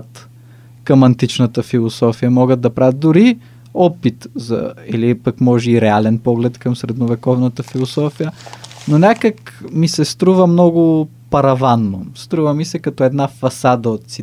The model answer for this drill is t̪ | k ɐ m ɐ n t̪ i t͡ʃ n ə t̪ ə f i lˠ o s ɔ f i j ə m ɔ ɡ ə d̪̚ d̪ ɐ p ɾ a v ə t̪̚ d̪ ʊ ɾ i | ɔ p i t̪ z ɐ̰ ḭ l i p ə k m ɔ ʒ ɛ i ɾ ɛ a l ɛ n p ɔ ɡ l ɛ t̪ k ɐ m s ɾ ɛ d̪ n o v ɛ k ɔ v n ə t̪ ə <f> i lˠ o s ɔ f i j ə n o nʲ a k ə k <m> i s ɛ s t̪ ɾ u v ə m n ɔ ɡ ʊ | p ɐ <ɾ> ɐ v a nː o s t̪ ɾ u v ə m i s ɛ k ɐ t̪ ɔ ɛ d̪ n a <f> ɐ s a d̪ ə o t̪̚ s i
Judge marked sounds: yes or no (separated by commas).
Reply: yes, yes, yes, yes